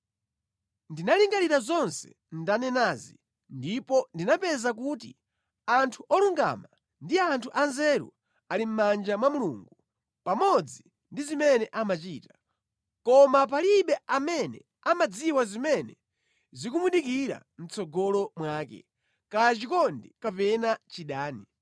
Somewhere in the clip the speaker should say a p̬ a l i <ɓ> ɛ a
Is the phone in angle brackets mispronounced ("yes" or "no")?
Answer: no